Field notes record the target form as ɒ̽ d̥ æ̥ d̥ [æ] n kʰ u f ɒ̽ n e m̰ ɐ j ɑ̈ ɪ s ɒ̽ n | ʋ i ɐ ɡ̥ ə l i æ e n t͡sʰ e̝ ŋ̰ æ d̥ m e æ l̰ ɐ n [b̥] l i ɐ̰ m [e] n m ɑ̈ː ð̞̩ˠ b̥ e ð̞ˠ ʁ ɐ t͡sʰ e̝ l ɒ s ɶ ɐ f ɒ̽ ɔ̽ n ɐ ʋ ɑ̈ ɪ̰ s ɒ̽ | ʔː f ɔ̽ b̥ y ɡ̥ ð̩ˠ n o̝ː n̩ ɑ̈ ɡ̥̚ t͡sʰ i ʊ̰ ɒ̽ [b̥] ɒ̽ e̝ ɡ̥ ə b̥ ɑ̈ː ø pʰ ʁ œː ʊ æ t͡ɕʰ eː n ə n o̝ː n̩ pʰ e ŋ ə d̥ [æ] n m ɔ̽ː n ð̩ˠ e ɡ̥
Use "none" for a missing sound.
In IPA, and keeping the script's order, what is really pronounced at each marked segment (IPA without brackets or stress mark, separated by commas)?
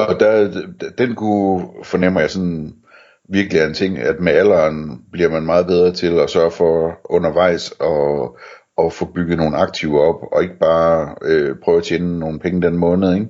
e, b̥, æ, b̥, e